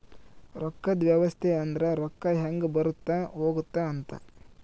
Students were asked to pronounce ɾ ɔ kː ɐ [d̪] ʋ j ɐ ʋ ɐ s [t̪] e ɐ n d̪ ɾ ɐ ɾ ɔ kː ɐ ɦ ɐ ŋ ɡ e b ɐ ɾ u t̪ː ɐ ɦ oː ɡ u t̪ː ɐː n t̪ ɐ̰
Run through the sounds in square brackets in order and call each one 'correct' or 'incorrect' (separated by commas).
correct, incorrect